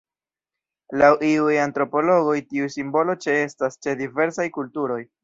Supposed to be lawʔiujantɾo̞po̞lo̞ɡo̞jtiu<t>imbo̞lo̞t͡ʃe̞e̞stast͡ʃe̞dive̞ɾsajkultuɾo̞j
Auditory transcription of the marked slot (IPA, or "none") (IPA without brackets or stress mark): s